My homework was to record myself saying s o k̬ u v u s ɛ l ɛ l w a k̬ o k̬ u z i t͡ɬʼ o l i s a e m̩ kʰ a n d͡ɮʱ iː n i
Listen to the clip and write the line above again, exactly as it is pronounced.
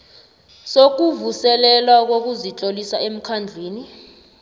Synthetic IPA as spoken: s o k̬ u v u s ɛ l ɛ l w a k̬ o k̬ u z i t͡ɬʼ o l i s a e m̩ kʰ a n d͡ɮʱ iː n i